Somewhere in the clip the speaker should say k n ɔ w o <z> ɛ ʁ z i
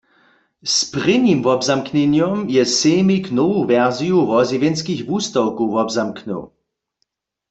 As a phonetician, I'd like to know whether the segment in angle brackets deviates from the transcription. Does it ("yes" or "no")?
yes